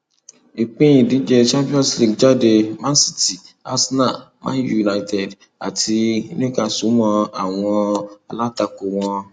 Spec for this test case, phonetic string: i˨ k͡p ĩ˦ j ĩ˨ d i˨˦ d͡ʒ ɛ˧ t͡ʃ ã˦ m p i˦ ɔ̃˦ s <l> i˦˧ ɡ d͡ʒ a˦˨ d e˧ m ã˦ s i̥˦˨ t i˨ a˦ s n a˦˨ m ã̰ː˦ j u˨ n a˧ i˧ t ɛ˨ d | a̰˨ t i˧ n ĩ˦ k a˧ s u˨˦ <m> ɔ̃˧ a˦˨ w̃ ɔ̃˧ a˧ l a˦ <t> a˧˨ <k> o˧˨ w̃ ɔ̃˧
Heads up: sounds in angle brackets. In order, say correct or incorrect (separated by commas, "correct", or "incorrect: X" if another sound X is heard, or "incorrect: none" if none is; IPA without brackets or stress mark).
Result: correct, correct, correct, correct